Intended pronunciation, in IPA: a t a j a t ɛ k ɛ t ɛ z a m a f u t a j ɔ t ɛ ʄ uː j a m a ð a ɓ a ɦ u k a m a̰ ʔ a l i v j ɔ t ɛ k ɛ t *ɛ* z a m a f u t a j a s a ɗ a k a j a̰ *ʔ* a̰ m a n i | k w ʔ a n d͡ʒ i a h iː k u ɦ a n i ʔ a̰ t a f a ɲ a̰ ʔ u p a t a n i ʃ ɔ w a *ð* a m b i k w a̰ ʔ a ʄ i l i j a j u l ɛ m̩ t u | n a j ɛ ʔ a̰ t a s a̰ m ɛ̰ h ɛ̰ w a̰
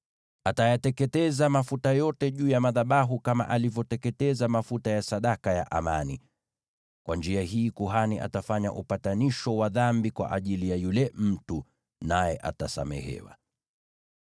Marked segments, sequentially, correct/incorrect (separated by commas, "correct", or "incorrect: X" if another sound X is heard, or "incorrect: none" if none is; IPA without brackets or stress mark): correct, correct, correct